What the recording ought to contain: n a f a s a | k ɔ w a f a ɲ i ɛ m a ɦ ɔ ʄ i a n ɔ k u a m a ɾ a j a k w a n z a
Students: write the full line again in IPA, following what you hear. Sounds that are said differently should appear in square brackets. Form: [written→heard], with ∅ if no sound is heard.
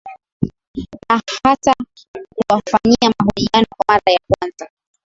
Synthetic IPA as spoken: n a [f→h] a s a | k [ɔ→u] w a f a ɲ i [ɛ→a] m a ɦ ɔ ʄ i a n ɔ k [u→w] a m a ɾ a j a k w a n z a

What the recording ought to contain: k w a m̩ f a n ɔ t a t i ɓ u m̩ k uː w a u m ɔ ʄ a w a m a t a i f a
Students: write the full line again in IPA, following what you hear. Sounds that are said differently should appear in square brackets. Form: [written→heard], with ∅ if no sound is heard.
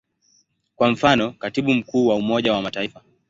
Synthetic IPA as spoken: k w a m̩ f a n ɔ [t→k] a t i ɓ u m̩ k uː w a u m ɔ ʄ a w a m a t a i f a

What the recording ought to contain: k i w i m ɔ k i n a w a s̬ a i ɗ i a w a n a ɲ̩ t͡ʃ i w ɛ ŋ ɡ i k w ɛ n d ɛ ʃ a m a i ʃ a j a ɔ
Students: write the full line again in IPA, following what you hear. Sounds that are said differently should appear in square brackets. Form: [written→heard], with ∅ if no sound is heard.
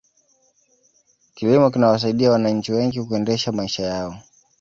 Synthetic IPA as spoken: k i w i m ɔ k i n a w a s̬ a i ɗ i a w a n a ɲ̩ t͡ʃ i w ɛ ŋ ɡ i k [w→u] ɛ n d ɛ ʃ a m a i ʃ a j a ɔ

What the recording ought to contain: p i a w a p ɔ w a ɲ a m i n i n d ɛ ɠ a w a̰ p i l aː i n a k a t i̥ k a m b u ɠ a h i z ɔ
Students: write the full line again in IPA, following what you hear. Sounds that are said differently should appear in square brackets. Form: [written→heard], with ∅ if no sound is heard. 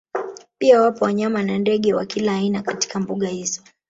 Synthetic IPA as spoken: p i a w a p ɔ w a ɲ a m [i→a] n [i→a] n d ɛ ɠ [a→ɛ] w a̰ [p→k] i l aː i n a k a t i̥ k a m b u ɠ a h i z ɔ

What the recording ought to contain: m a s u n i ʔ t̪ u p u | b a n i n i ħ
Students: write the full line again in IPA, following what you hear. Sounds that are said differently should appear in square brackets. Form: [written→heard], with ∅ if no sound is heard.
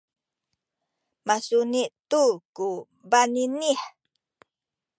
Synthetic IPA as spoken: m a s u n i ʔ t̪ u [p→k] u | b a n i n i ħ

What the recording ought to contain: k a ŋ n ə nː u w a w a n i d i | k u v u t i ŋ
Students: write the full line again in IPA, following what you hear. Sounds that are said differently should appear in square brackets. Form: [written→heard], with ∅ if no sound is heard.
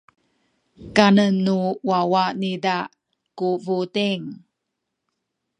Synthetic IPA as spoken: k a [ŋ→∅] n ə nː u w a w a n i d [i→a] | k u v u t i ŋ

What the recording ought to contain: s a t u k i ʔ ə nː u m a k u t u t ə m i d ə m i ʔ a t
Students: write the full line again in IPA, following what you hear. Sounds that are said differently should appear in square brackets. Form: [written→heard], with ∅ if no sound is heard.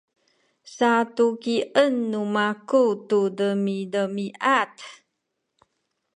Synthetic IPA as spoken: s a t u k i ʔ ə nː u m a k u t u [t→d] ə m i d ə m i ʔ a t

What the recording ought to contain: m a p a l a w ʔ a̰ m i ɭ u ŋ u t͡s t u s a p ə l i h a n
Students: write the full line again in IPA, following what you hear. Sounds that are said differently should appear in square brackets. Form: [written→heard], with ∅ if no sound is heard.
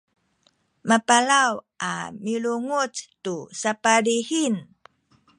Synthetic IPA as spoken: m a p a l a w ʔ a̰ m i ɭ u ŋ u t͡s t u s a p [ə→a] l i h [a→i] n

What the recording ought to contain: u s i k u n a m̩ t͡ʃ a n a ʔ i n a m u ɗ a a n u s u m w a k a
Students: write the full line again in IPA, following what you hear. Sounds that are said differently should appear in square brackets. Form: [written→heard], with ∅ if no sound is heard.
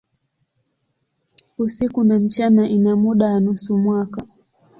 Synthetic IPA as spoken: u s i k u n a m̩ t͡ʃ a n a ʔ i n a m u ɗ a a n u s u m w a k a

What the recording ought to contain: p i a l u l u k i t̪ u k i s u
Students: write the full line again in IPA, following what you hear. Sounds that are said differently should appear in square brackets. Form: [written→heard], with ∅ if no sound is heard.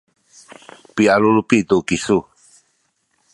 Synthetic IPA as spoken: p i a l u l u [k→p] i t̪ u k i s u

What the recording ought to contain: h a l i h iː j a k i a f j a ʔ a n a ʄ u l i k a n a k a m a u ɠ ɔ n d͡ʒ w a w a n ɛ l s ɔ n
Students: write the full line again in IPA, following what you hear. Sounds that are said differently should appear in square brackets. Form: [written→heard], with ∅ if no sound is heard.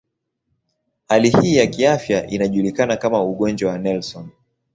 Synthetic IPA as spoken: h a l i h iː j a k i a f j a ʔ [a→i] n a ʄ u l i k a n a k a m a u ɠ ɔ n d͡ʒ w a w a n ɛ l s ɔ n

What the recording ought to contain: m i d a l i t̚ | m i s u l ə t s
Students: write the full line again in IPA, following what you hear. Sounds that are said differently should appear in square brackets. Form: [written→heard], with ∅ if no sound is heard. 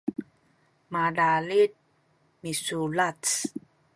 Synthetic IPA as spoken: m [i→a] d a l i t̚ | m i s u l [ə→a] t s

